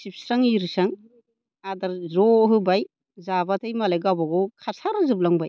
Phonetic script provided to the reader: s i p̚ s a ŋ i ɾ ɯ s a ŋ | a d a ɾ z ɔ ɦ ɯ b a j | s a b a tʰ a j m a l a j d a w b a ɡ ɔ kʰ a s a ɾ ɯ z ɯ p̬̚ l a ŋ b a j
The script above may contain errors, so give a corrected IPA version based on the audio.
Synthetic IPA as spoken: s i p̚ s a ŋ i ɾ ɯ s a ŋ | a d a ɾ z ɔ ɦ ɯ b a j | z a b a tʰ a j m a l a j ɡ a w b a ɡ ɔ kʰ a s a ɾ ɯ z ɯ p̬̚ l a ŋ b a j

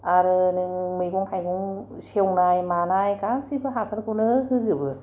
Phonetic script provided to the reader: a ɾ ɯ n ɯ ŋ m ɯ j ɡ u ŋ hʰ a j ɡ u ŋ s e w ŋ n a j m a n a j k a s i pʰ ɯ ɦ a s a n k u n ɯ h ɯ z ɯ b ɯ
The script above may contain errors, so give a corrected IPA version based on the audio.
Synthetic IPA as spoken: a ɾ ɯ n ɯ ŋ m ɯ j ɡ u ŋ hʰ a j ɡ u ŋ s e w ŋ n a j m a n a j k a s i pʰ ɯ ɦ a s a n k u n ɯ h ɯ z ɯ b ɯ

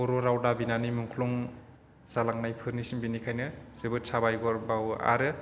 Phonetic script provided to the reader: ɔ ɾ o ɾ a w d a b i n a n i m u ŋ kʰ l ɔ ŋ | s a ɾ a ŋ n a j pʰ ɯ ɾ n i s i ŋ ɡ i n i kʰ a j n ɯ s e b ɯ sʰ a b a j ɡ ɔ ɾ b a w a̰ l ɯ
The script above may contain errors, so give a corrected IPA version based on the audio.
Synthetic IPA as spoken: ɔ ɾ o ɾ a w d a b i n a n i m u ŋ kʰ l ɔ ŋ | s a l a ŋ n a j pʰ ɯ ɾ n i s i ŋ b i n i kʰ a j n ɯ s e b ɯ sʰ a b a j ɡ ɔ ɾ b a w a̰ ɾ ɯ

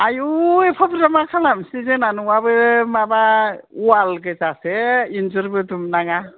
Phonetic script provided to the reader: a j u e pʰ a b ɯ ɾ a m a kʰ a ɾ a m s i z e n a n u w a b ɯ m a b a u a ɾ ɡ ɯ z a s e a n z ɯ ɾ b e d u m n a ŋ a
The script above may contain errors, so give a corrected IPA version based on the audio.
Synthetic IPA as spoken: a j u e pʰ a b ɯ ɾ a m a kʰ a l a m s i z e n a n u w a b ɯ m a b a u a l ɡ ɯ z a s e i n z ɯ ɾ b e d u m n a ŋ a

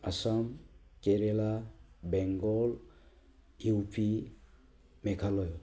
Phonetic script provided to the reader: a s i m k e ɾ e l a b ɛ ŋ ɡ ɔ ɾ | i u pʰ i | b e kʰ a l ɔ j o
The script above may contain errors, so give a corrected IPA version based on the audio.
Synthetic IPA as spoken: a s a m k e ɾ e l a b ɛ ŋ ɡ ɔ l | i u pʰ i | m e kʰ a l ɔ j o

